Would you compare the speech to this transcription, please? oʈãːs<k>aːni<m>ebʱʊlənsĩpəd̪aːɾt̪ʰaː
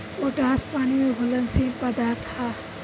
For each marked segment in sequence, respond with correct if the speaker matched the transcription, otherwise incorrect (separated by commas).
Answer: incorrect, correct